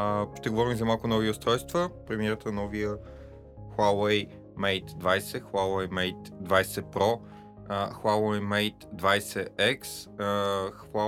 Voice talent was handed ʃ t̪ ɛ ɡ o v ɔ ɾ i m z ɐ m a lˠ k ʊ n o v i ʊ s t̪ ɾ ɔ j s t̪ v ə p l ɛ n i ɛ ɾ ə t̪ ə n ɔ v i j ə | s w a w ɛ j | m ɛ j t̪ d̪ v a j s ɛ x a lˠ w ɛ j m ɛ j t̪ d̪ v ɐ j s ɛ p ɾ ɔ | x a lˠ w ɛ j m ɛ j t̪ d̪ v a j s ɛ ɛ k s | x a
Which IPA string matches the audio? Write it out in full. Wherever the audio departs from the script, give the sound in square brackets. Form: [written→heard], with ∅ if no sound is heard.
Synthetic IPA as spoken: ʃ t̪ ɛ ɡ o v ɔ ɾ i m z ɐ m a lˠ k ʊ n [o→ɔ] v i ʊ s t̪ ɾ ɔ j s t̪ v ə p [l→ɾ] ɛ [n→m] i ɛ ɾ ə t̪ ə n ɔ v i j ə | [s→x] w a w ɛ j | m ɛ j t̪ d̪ v a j s ɛ x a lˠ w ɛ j m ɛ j t̪ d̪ v [ɐ→a] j s ɛ p ɾ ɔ | x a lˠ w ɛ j m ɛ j t̪ d̪ v a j s ɛ ɛ k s | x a